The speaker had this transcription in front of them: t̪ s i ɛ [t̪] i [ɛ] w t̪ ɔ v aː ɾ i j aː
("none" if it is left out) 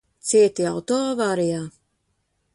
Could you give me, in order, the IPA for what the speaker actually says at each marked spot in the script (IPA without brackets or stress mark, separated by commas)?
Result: t̪, a